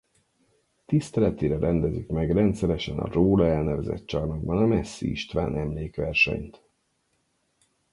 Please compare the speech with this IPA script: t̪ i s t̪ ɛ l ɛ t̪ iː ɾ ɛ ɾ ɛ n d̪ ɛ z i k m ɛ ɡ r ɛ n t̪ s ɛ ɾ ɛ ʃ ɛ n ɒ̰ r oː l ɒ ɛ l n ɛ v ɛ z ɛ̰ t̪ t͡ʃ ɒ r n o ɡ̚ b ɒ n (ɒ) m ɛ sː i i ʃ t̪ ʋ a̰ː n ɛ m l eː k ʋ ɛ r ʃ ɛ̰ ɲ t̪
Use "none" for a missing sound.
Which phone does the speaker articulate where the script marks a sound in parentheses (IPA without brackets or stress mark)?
ɒ